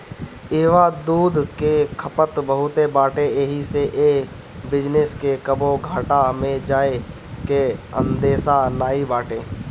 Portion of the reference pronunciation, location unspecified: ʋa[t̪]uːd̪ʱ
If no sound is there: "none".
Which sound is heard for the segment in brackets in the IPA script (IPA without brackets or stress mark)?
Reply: d̪